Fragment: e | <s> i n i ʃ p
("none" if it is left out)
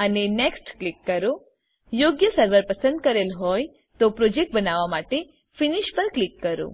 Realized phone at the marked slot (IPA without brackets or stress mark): f